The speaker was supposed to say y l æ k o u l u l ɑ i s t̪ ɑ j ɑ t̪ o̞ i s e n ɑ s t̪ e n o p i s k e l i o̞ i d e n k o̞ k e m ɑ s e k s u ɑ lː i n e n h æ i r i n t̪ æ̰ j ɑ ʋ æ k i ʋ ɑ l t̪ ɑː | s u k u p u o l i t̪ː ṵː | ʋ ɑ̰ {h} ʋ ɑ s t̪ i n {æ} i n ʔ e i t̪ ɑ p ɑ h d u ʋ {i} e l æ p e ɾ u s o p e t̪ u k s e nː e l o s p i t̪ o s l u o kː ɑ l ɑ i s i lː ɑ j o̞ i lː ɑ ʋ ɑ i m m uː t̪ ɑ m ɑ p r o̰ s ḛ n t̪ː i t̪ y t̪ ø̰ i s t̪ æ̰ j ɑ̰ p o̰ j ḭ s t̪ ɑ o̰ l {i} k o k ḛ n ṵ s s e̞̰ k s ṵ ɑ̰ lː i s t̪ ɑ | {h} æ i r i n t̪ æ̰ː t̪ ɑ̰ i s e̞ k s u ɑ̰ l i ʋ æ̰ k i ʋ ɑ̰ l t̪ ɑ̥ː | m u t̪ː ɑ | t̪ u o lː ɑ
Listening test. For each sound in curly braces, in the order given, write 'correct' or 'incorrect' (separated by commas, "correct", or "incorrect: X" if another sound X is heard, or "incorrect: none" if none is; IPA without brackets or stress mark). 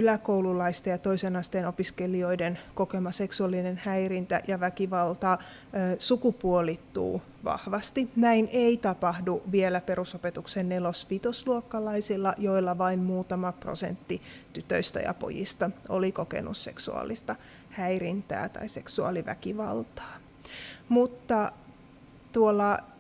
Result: correct, correct, correct, correct, correct